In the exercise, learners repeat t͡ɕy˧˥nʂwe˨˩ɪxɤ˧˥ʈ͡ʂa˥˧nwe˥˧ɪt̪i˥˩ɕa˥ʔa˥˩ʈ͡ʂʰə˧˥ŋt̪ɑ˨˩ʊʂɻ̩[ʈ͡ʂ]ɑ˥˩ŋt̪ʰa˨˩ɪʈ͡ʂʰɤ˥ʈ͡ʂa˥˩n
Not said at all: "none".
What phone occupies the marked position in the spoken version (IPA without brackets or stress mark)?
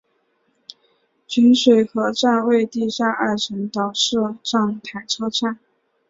ʈ͡ʂ